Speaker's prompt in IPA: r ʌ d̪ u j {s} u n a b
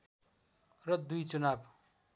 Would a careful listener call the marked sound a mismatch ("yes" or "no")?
yes